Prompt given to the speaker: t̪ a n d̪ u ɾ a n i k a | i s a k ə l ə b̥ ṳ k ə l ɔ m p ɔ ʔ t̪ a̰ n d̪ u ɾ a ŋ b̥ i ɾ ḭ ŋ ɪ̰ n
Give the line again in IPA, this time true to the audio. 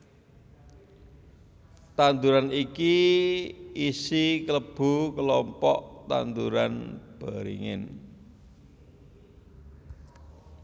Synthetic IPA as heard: t̪ a n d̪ u ɾ a n i k i | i s i k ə l ə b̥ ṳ k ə l ɔ m p ɔ ʔ t̪ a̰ n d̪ u ɾ a n b̥ a ɾ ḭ ŋ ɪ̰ n